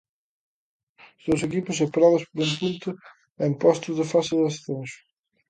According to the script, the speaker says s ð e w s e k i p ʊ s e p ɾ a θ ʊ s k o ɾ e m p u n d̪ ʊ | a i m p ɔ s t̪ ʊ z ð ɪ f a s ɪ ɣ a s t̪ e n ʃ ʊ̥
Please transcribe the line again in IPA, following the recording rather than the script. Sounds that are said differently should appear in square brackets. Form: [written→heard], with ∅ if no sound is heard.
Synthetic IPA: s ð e w s e k i p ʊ s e p ɾ a [θ→ð] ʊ s [k→p] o ɾ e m p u n [d̪→t̪] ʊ | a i m p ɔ s t̪ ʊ z ð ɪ f a s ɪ [ɣ→ð] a s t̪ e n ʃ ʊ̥